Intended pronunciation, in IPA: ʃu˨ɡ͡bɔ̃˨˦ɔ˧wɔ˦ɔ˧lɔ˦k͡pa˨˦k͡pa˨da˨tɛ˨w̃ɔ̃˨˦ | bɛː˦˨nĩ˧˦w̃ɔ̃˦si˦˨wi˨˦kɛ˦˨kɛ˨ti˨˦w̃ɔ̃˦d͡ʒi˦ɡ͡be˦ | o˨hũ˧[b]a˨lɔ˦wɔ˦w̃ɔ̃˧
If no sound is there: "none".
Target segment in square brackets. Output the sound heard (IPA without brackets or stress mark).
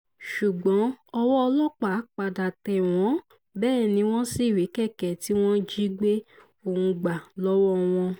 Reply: ɡ͡b